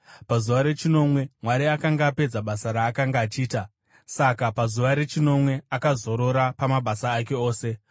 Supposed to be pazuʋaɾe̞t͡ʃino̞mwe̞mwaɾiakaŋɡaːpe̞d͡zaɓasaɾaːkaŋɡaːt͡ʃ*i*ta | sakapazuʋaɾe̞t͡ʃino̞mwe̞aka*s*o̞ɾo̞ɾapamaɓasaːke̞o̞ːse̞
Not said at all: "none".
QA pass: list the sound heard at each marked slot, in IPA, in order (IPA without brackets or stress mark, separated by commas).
iː, z